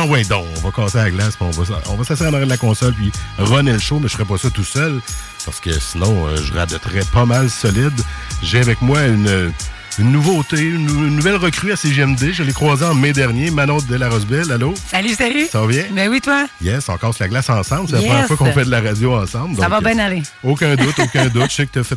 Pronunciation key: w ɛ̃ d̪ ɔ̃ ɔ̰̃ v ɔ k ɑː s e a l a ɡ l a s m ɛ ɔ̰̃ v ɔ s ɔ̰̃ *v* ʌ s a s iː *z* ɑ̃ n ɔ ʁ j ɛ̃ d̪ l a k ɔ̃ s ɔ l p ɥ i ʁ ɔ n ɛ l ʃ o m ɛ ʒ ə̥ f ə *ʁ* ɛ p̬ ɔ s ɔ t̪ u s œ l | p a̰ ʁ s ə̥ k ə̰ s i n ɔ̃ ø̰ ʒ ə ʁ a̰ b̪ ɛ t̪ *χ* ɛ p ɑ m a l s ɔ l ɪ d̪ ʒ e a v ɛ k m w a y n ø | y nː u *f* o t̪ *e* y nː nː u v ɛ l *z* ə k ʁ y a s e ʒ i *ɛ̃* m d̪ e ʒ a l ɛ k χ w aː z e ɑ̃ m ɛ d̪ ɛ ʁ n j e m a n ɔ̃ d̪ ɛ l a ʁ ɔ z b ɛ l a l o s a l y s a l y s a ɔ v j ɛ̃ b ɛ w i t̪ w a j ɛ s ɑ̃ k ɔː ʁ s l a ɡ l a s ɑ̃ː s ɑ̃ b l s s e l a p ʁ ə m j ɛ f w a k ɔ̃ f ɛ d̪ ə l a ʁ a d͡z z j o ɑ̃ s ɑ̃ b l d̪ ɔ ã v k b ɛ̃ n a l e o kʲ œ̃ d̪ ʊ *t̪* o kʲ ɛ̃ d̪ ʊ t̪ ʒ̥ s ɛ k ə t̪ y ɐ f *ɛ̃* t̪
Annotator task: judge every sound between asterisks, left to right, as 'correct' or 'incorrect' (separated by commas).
correct, incorrect, correct, incorrect, incorrect, correct, incorrect, incorrect, correct, incorrect